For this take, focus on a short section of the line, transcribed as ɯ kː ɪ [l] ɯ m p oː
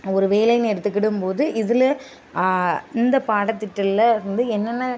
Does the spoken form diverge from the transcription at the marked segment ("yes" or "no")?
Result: yes